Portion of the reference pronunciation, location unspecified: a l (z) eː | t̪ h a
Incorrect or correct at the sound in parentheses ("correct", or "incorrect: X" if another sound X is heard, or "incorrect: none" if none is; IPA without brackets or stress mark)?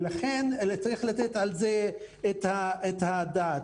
correct